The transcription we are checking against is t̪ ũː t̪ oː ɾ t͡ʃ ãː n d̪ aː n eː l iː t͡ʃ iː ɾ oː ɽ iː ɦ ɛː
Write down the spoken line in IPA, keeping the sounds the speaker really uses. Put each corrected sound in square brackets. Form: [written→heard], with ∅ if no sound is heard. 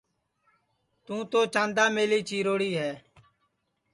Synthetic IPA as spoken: t̪ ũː t̪ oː [ɾ→∅] t͡ʃ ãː n d̪ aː [n→m] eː l iː t͡ʃ iː ɾ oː ɽ iː ɦ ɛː